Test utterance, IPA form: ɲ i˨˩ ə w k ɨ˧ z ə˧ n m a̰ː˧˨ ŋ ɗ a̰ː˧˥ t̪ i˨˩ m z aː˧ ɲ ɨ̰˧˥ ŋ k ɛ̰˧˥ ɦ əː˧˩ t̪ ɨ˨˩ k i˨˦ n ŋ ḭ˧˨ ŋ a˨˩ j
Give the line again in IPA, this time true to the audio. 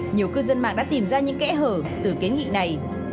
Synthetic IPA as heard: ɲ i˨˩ ə w k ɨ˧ z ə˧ n m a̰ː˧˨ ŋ ɗ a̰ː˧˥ t̪ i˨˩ m z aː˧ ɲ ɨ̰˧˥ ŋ k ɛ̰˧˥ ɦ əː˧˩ t̪ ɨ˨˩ k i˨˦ n ŋ ḭ˧˨ n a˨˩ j